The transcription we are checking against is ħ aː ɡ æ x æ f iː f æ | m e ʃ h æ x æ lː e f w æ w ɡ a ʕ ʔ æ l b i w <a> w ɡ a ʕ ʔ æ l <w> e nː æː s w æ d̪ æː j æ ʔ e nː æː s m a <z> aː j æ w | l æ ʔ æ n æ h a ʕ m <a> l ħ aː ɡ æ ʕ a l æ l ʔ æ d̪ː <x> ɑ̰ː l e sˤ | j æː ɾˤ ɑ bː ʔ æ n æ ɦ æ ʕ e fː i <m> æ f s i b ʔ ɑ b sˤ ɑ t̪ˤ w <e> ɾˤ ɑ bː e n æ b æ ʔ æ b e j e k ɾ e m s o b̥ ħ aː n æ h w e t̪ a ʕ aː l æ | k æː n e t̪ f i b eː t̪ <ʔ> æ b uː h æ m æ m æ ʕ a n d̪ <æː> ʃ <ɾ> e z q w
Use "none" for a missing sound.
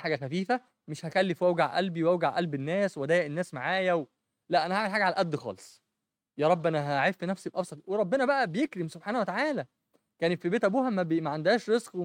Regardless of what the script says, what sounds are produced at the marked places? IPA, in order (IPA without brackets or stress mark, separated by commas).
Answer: æ, b, ʕ, e, x, n, e, ʔ, æː, ɾ